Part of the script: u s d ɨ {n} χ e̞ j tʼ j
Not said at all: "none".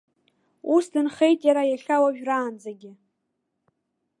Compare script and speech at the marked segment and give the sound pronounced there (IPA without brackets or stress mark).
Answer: n